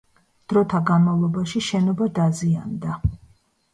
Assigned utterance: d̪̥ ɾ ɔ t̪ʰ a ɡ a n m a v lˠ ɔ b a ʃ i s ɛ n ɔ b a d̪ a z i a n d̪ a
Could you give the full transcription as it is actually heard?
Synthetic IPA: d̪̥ ɾ ɔ t̪ʰ a ɡ a n m a v lˠ ɔ b a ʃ i ʃ ɛ n ɔ b a d̪ a z i a n d̪ a